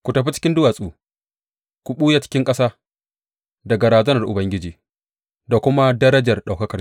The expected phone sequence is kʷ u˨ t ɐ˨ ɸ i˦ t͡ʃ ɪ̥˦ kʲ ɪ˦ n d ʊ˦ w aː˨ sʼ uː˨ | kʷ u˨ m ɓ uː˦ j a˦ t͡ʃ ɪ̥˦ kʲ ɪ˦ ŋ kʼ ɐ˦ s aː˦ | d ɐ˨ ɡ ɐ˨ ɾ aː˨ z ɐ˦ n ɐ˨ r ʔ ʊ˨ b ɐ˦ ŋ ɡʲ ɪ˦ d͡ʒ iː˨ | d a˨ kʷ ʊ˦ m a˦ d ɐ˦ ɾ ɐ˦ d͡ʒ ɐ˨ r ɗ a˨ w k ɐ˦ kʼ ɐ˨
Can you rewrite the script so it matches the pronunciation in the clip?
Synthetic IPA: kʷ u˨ t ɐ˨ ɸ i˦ t͡ʃ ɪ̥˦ kʲ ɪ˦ n d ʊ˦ w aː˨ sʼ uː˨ | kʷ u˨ ɓ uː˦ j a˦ t͡ʃ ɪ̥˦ kʲ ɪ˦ ŋ kʼ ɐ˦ s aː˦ | d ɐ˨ ɡ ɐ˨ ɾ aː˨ z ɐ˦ n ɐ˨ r ʔ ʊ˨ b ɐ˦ ŋ ɡʲ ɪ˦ d͡ʒ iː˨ | d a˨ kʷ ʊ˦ m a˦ d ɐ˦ ɾ ɐ˦ d͡ʒ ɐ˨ r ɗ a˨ w k ɐ˦ k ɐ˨